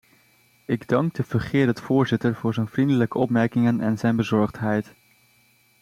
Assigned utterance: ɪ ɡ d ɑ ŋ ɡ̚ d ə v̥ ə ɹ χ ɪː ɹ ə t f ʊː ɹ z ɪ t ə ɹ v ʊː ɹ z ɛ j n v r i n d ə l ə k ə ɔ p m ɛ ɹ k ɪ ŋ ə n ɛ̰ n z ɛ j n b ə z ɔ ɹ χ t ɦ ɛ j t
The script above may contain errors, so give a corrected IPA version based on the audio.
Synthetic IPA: ɪ ɡ d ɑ ŋ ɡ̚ d ə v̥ ə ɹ χ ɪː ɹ ə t f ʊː ɹ z ɪ t ə ɹ v ʊː ɹ z ɛ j n v r i n d ə l ə k ə ɔ p m ɛ ɹ k ɪ ŋ ə n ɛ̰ n z ɛ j n b ə z ɔ ɹ χ t ɦ ɛ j t